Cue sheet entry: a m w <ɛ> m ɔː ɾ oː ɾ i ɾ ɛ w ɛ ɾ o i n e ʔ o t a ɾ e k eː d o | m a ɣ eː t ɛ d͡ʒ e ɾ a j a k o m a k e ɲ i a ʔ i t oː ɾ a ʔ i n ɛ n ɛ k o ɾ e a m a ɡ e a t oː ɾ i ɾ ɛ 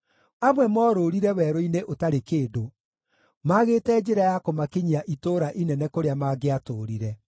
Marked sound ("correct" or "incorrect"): correct